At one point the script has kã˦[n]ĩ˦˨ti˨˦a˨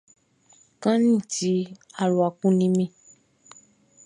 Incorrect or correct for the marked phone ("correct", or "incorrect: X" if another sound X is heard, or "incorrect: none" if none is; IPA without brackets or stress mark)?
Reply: correct